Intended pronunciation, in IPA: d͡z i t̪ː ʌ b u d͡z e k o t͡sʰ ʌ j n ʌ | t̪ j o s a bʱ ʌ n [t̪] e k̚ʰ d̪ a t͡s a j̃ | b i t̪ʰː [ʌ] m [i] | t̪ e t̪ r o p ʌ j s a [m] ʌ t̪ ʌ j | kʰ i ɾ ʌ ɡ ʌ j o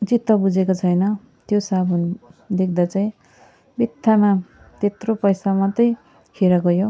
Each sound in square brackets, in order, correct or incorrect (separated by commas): incorrect, incorrect, incorrect, correct